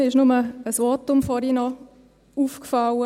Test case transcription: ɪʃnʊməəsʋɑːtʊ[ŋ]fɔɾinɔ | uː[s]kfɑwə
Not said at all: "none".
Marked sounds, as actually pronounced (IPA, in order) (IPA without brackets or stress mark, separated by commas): m, f